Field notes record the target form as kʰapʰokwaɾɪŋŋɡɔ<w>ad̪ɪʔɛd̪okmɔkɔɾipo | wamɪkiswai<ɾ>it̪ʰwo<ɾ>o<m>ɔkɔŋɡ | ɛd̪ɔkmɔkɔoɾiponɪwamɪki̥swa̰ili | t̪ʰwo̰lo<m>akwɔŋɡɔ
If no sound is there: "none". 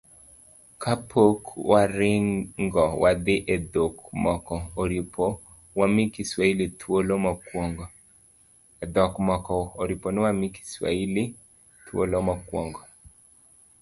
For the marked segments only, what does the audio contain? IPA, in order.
w, l, l, m, m

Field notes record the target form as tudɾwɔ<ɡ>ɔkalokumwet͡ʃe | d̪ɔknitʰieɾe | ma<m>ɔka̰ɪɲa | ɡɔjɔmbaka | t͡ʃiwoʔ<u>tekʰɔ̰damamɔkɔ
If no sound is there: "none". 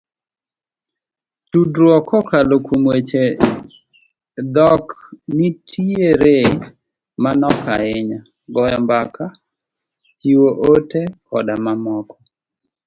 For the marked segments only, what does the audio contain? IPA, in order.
k, n, o

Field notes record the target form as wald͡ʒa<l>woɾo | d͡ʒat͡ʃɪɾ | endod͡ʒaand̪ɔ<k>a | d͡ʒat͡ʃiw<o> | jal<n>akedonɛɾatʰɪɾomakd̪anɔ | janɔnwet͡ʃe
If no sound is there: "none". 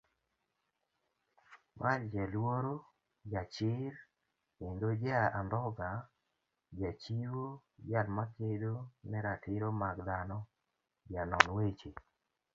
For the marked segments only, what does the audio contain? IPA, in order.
l, ɡ, o, m

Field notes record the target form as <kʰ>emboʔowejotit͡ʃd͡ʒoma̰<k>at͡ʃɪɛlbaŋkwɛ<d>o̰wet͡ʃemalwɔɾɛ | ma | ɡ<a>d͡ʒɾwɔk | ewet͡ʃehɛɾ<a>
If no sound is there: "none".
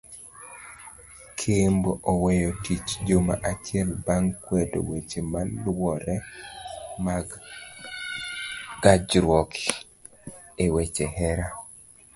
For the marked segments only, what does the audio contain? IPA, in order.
kʰ, ʔ, d, a, a

